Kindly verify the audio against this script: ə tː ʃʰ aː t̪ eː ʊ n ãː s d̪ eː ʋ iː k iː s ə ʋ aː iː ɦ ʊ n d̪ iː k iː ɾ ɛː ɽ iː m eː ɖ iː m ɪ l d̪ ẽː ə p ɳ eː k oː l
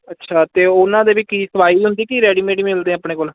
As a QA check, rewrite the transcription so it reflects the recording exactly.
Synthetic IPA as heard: ə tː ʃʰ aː t̪ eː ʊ n ãː d̪ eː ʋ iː k iː s ə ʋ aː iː ɦ ʊ n d̪ iː k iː ɾ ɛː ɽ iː m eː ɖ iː m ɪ l d̪ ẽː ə p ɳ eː k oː l